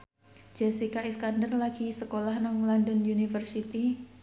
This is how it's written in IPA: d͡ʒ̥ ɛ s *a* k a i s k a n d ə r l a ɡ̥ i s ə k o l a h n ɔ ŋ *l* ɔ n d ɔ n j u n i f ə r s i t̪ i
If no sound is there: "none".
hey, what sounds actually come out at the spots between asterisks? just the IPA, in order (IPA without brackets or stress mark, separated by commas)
i, l